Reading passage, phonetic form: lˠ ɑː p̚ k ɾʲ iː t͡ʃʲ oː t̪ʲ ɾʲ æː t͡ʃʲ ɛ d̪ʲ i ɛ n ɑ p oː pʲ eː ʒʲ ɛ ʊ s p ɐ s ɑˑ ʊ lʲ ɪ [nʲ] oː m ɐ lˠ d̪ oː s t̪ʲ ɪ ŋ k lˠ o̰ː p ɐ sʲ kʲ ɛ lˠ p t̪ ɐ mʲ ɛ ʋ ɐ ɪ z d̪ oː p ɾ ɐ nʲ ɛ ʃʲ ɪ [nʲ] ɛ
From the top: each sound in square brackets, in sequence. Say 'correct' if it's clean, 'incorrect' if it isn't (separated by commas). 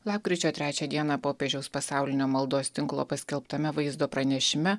correct, incorrect